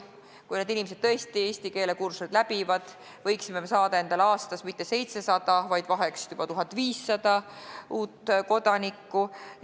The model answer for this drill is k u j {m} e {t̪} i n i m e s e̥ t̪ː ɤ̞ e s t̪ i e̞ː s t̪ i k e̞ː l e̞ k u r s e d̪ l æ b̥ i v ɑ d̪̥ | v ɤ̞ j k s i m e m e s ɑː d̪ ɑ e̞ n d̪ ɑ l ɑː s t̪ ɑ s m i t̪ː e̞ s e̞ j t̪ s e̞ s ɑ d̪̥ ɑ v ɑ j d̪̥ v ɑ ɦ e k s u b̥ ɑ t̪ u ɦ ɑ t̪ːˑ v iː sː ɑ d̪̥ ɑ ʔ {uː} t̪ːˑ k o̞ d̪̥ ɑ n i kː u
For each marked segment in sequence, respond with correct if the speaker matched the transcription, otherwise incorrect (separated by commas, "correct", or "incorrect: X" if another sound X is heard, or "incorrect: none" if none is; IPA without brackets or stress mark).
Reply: incorrect: n, incorrect: d̪, correct